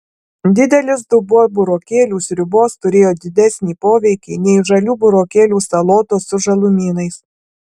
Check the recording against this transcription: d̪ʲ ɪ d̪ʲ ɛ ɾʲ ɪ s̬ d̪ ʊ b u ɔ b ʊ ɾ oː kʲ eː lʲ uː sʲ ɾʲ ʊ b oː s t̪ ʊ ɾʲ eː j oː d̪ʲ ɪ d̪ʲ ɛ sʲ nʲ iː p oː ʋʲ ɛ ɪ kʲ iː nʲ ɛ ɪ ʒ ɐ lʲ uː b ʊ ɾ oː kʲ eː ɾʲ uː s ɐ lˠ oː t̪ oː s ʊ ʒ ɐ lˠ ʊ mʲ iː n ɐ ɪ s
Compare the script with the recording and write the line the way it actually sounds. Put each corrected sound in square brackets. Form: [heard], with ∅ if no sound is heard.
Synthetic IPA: d̪ʲ ɪ d̪ʲ ɛ [lʲ] ɪ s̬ d̪ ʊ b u ɔ b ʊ ɾ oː kʲ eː lʲ uː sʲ ɾʲ ʊ b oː s t̪ ʊ ɾʲ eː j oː d̪ʲ ɪ d̪ʲ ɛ sʲ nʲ iː p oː ʋʲ ɛ ɪ kʲ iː nʲ ɛ ɪ ʒ ɐ lʲ uː b ʊ ɾ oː kʲ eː [lʲ] uː s ɐ lˠ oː t̪ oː s ʊ ʒ ɐ lˠ ʊ mʲ iː n ɐ ɪ s